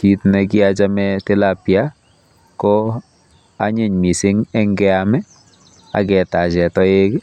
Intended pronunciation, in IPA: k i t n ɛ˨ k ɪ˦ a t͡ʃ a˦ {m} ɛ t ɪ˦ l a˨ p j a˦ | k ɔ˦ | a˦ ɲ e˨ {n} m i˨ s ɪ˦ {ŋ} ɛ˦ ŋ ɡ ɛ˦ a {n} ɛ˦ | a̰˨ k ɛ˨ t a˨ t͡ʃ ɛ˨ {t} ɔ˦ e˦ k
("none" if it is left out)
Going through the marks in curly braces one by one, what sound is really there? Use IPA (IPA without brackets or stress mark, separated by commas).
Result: m, ɲ, ŋ, m, t